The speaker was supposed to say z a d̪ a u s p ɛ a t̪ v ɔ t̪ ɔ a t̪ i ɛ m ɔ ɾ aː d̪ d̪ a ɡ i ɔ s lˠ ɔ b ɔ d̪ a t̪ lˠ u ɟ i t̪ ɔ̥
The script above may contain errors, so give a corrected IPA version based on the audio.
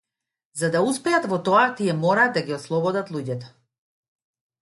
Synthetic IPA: z a d̪ a u s p ɛ a t̪ v ɔ t̪ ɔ a t̪ i ɛ m ɔ ɾ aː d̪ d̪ a ɡ i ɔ s lˠ ɔ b ɔ d̪ a t̪ lˠ u ɟ ɛ t̪ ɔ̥